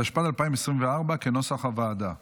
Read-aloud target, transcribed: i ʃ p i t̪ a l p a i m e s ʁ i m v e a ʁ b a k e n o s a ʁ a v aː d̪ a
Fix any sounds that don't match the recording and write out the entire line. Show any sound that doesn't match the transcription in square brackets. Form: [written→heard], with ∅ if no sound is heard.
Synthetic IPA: [i→a] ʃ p [i→a] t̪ a l p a i m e s ʁ i m v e a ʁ b a k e n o s a [ʁ→χ] a v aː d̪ a